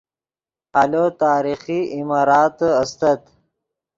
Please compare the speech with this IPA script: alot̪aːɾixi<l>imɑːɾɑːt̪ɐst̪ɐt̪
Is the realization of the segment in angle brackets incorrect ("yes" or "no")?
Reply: yes